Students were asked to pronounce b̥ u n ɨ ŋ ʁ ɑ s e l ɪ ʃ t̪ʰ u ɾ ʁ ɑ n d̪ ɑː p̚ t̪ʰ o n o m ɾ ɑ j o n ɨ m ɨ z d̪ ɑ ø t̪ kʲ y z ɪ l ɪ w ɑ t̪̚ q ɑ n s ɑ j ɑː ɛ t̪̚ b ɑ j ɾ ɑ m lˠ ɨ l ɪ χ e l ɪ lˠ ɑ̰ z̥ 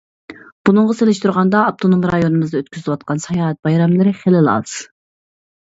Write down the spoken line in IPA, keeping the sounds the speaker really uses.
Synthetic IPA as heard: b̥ u n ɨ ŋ ʁ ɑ s e l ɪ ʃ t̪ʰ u ɾ ʁ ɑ n d̪ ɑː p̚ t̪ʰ o n o m ɾ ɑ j o n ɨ m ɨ z d̪ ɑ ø t̪ kʲ y z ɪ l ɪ w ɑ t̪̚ q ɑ n s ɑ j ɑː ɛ t̪̚ b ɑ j ɾ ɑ m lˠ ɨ ɾ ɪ χ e l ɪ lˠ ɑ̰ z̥